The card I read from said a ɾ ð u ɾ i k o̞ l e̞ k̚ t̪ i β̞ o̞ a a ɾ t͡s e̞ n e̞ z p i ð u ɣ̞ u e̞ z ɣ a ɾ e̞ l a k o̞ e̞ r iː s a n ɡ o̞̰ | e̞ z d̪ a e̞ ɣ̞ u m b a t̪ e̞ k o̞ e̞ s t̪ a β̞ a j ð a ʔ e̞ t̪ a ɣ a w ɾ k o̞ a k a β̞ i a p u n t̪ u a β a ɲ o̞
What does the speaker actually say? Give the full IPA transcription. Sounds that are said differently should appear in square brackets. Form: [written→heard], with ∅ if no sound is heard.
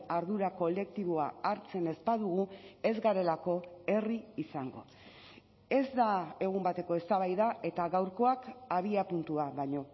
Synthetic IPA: a ɾ ð u ɾ [i→a] k o̞ l e̞ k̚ t̪ i β̞ o̞ a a ɾ t͡s e̞ n e̞ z p [i→a] ð u ɣ̞ u e̞ z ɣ a ɾ e̞ l a k o̞ e̞ r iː s a [n→ŋ] ɡ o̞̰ | e̞ z d̪ a e̞ ɣ̞ u m b a t̪ e̞ k o̞ e̞ s t̪ a β̞ a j ð a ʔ e̞ t̪ a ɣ a w ɾ k o̞ a k a β̞ i a p u n t̪ u a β a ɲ o̞

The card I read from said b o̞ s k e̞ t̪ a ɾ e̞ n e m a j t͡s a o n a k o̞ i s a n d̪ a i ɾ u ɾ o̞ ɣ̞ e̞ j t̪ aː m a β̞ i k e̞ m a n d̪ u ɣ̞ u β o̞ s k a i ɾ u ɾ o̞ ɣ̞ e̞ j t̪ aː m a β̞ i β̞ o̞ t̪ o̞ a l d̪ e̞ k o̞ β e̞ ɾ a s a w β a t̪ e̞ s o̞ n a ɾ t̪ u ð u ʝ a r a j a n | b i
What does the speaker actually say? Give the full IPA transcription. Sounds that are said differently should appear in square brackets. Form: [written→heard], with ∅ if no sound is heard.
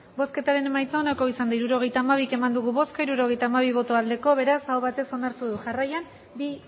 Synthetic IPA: b o̞ s k e̞ t̪ a ɾ e̞ n e m a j t͡s a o n a k o̞ i s a n d̪ a i ɾ u ɾ o̞ ɣ̞ e̞ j t̪ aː m a β̞ i k e̞ m a n d̪ u ɣ̞ u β o̞ s k a i ɾ u ɾ o̞ ɣ̞ e̞ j t̪ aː m a β̞ i β̞ o̞ t̪ o̞ a l d̪ e̞ k o̞ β e̞ ɾ a s a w β a t̪ e̞ s o̞ n a ɾ t̪ u ð u ʝ a r a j a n | b i

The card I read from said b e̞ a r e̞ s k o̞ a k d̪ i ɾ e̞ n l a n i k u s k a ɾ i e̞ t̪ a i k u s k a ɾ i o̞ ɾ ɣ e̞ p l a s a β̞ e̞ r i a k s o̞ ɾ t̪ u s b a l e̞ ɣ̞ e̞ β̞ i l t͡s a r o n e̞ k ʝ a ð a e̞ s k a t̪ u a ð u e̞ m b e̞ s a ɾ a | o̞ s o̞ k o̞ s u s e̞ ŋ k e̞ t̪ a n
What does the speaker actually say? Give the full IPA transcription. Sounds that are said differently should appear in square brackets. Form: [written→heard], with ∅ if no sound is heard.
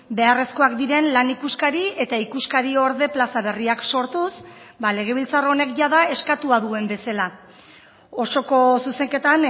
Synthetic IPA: b e̞ a r e̞ s k o̞ a k d̪ i ɾ e̞ n l a n i k u s k a ɾ i e̞ t̪ a i k u s k a ɾ i o̞ ɾ [ɣ→ð] e̞ p l a s a β̞ e̞ r i a k s o̞ ɾ t̪ u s b a l e̞ ɣ̞ e̞ β̞ i l t͡s a r o n e̞ k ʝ a ð a e̞ s k a t̪ u a ð u e̞ m b e̞ s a [ɾ→l] a | o̞ s o̞ k o̞ s u s e̞ ŋ k e̞ t̪ a n

